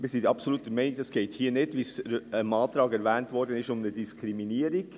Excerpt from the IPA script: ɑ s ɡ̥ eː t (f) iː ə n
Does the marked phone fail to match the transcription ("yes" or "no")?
yes